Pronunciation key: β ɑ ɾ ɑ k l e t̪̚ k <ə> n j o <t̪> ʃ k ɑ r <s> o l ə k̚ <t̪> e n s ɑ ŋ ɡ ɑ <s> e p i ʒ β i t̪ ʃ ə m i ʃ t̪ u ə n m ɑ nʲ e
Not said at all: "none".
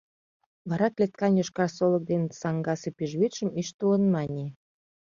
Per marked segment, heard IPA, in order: ɑ, none, s, d̪, s

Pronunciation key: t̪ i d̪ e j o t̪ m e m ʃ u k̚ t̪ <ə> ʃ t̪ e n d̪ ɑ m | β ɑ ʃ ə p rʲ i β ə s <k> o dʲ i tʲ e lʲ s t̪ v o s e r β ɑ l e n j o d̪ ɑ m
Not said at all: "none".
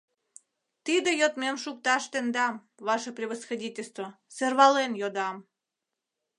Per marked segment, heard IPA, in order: ɑ, x

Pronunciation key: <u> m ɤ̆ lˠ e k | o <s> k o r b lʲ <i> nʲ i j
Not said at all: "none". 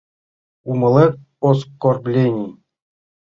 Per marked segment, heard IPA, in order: u, s, e

